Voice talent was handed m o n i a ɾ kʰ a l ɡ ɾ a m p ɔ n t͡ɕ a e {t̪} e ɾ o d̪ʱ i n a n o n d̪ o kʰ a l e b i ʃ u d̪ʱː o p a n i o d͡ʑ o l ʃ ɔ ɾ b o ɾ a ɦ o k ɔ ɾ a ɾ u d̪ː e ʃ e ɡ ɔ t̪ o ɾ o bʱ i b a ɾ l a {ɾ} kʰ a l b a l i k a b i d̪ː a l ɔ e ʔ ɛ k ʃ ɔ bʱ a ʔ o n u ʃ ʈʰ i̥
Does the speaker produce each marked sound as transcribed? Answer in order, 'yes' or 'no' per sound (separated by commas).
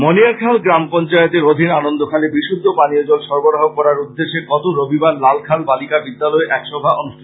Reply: yes, no